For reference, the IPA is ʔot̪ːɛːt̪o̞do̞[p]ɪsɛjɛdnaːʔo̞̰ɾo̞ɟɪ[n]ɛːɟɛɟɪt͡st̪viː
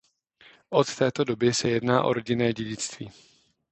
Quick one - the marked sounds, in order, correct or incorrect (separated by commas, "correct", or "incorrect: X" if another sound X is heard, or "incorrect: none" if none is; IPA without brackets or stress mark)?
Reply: incorrect: b, correct